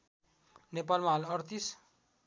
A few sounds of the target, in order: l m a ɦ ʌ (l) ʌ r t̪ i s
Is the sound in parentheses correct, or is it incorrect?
correct